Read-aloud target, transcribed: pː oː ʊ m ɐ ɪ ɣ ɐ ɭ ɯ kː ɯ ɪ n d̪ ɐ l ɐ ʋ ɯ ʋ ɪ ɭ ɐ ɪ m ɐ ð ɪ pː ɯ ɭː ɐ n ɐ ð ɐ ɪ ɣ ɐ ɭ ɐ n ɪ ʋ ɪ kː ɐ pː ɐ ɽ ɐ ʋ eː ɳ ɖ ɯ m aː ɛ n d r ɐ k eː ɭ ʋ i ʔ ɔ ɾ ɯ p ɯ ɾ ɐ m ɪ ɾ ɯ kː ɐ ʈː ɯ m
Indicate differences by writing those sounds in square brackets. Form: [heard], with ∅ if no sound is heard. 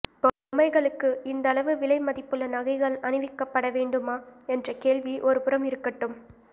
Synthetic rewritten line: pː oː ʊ m ɐ ɪ ɣ ɐ ɭ ɯ kː ɯ ɪ n d̪ ɐ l ɐ ʋ ɯ ʋ ɪ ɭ ɐ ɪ m ɐ ð ɪ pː ɯ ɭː ɐ n ɐ [ɣ] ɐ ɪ ɣ ɐ ɭ ɐ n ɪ ʋ ɪ kː ɐ pː ɐ ɽ ɐ ʋ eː ɳ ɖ ɯ m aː ɛ n d r ɐ k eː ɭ ʋ i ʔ ɔ ɾ ɯ p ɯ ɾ ɐ m ɪ ɾ ɯ kː ɐ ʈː ɯ m